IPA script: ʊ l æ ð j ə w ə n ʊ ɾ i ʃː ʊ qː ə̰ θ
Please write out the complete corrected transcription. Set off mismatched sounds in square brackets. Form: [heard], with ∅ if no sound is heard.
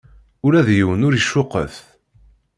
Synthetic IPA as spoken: ʊ [ɾ] æ ð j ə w ə n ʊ ɾ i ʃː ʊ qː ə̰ θ